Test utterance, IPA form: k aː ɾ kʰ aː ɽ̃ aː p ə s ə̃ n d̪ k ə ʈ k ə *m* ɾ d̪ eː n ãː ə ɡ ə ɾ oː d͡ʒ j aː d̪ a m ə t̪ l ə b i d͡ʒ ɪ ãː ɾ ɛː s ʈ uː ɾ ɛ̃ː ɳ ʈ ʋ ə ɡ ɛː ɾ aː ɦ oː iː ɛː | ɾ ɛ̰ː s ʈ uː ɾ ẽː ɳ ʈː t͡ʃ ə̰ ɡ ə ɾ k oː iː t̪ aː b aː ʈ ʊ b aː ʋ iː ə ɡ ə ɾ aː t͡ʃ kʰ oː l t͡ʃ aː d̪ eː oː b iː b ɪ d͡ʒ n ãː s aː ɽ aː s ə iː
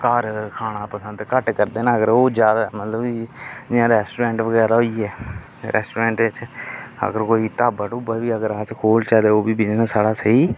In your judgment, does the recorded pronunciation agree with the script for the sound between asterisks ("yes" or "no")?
no